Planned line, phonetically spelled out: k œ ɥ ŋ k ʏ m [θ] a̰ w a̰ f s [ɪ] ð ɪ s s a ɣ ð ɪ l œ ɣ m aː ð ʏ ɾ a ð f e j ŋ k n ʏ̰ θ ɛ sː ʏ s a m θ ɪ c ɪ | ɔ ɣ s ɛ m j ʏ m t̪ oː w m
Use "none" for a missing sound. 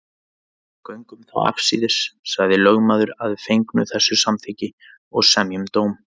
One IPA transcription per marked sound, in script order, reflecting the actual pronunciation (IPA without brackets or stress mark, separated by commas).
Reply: θ, i